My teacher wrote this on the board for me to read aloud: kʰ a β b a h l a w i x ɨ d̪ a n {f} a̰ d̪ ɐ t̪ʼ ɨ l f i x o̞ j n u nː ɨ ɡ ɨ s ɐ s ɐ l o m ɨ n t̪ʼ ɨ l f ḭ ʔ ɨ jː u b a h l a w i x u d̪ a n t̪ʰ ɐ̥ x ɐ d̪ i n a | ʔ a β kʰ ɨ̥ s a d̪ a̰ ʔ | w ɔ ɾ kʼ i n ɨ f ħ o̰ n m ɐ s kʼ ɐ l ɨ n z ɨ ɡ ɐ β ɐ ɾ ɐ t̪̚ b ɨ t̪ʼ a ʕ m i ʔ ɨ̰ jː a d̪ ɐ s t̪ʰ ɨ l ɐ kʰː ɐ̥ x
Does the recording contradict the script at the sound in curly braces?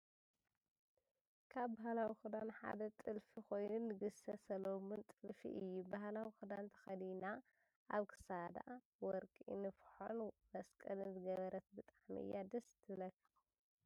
yes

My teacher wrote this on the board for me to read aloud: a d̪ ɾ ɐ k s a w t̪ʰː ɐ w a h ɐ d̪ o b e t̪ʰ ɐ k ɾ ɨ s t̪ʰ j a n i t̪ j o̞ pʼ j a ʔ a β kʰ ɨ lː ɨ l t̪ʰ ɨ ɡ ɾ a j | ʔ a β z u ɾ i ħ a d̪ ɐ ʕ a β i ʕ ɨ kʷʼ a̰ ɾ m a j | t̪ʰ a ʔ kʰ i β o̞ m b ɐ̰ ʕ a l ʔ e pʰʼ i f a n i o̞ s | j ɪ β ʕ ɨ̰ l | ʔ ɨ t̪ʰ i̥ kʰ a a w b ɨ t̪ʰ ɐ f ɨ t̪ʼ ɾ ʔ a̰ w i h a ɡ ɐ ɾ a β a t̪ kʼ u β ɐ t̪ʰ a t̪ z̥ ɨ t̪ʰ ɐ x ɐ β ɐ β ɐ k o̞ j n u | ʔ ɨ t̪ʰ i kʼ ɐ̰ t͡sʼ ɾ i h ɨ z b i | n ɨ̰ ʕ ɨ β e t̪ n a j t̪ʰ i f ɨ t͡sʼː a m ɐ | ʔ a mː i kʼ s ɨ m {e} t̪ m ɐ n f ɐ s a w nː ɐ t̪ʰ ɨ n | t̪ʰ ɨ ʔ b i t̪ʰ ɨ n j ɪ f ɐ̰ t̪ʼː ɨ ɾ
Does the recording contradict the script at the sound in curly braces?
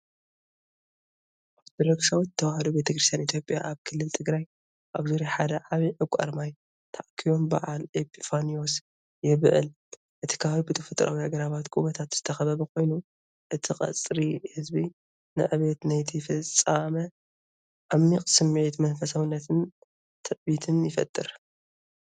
no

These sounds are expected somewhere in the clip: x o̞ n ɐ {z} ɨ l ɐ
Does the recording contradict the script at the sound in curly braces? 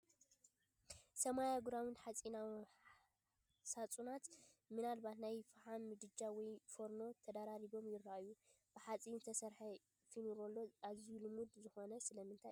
yes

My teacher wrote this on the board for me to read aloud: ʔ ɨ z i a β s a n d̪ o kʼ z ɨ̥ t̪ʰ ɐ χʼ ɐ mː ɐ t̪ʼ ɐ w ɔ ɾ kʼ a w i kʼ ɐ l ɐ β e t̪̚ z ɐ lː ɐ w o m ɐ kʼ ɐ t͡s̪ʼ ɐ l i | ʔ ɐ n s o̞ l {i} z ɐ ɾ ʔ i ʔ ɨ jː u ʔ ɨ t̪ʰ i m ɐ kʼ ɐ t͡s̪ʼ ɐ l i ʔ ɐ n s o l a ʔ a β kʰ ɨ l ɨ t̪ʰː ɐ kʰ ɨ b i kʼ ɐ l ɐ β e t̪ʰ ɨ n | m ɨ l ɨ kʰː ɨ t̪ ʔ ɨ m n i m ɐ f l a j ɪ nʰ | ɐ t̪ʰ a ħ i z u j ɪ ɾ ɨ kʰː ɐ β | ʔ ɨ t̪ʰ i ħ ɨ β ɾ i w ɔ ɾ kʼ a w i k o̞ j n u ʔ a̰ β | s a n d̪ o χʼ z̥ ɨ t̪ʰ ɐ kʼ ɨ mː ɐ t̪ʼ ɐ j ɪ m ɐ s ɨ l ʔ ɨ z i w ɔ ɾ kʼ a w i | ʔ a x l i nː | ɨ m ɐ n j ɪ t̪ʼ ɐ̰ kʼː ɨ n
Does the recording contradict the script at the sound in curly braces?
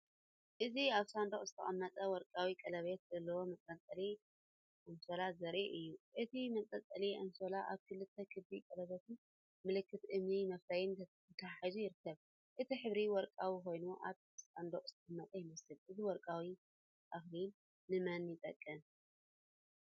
yes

